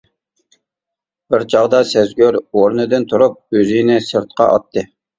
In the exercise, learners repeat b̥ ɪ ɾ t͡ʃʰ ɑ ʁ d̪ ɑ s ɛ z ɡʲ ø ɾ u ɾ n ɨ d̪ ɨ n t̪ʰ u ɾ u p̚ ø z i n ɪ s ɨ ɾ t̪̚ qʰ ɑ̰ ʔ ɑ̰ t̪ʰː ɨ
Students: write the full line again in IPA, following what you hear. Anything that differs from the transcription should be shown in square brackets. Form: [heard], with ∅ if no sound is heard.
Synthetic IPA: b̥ ɪ ɾ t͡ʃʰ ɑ ʁ d̪ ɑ s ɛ z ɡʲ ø ɾ [o] ɾ n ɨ d̪ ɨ n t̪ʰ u ɾ u p̚ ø z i n ɪ s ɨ ɾ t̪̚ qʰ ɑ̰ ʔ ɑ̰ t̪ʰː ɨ